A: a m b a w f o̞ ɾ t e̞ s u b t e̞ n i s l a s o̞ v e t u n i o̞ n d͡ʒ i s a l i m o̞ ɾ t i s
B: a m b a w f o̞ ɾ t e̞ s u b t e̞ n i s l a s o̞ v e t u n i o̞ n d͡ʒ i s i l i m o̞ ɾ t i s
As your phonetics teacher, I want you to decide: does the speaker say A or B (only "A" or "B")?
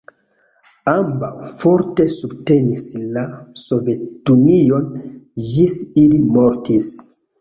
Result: B